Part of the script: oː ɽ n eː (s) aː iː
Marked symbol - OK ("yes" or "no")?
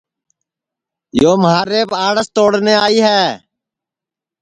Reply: no